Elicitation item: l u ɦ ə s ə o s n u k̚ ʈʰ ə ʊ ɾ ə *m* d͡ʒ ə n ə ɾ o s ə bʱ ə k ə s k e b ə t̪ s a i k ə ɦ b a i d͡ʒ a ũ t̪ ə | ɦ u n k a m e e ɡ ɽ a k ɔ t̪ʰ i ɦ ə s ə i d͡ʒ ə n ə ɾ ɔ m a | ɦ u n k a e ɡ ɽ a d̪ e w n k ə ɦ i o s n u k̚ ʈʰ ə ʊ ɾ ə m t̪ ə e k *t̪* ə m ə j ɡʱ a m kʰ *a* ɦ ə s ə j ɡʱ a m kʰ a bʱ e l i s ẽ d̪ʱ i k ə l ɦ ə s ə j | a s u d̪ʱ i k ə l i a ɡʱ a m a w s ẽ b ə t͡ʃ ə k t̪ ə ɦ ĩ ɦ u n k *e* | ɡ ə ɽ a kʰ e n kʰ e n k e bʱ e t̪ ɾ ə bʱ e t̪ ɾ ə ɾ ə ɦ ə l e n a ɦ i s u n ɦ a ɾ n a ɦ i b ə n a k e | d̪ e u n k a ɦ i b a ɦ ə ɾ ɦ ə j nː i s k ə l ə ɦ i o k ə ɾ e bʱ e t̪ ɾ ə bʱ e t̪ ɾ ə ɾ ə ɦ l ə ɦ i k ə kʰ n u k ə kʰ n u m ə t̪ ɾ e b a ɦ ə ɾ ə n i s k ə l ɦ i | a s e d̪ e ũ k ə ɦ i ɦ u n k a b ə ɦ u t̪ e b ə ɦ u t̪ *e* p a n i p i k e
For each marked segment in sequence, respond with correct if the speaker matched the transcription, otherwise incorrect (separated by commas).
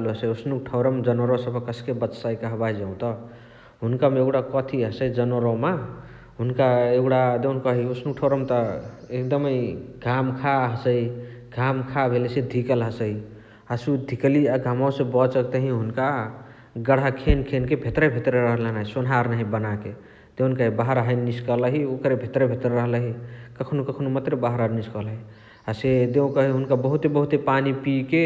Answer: correct, incorrect, correct, incorrect, correct